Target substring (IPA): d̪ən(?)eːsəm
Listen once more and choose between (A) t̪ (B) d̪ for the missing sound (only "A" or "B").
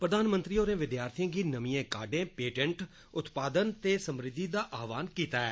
A